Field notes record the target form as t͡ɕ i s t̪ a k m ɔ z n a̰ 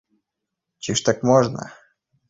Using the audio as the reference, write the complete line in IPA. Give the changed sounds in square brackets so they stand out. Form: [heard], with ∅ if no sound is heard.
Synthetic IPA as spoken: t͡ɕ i [ʂ] t̪ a k m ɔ [ʐ] n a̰